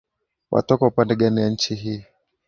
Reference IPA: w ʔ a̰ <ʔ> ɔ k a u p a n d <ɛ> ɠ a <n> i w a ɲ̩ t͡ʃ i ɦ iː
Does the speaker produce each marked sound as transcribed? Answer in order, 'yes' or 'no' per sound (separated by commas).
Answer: no, yes, yes